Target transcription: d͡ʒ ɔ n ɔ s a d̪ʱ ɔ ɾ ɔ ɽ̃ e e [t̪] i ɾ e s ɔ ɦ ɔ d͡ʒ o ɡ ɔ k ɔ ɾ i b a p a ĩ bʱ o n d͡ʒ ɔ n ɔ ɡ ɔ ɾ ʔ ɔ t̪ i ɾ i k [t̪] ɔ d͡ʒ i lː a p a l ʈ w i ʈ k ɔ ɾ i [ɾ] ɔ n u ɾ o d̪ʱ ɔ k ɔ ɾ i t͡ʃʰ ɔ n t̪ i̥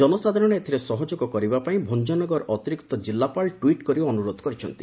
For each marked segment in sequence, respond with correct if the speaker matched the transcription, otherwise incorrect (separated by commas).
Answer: incorrect, correct, incorrect